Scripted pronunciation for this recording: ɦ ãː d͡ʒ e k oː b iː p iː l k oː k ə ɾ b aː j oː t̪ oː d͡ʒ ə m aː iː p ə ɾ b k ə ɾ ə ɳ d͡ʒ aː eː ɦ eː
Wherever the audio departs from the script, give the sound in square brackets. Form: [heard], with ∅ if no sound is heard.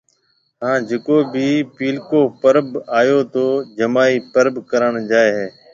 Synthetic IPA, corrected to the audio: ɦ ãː d͡ʒ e k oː b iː p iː l k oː [p] ə ɾ b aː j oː t̪ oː d͡ʒ ə m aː iː p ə ɾ b k ə ɾ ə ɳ d͡ʒ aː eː ɦ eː